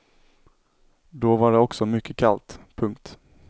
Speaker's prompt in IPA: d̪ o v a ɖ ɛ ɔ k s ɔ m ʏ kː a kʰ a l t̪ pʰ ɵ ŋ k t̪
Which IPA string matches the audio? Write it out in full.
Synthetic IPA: d̪ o v a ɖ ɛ ɔ k s ɔ m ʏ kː ə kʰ a l t̪ pʰ ɵ ŋ k t̪